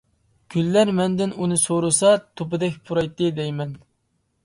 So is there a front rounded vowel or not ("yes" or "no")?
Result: yes